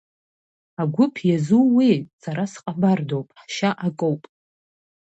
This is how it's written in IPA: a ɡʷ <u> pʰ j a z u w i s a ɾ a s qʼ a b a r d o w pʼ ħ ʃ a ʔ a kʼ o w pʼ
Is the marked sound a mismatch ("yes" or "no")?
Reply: yes